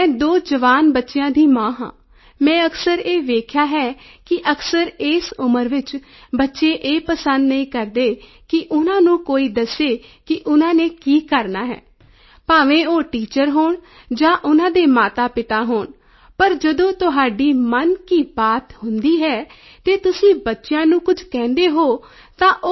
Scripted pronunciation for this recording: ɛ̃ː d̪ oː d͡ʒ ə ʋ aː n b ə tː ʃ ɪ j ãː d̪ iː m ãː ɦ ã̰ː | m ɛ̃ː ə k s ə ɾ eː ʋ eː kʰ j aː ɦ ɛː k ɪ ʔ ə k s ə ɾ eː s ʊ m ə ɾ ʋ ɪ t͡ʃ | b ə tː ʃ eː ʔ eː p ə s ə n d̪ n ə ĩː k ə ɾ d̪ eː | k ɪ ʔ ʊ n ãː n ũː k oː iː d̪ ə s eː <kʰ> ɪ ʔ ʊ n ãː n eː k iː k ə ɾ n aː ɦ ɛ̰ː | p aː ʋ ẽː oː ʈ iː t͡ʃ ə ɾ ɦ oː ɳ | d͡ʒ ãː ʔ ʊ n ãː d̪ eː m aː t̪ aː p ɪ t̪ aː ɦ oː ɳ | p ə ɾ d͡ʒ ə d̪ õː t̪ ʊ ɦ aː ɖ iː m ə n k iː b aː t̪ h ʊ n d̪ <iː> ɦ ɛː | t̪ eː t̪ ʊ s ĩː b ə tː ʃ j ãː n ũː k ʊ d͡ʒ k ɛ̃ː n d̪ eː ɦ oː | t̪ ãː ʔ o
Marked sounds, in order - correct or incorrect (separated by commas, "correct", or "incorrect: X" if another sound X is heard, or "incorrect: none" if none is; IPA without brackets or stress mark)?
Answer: incorrect: k, correct